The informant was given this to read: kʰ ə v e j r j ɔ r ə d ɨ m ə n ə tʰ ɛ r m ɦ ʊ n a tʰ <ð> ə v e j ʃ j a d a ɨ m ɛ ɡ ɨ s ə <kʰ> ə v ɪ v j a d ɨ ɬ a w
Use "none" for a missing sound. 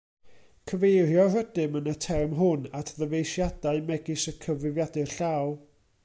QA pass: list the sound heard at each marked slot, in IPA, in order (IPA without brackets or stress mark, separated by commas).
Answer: ð, kʰ